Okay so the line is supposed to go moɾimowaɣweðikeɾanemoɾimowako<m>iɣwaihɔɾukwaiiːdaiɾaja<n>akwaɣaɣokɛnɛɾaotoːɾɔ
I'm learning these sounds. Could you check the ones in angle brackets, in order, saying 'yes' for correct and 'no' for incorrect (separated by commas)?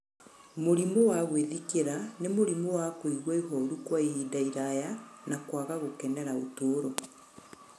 no, yes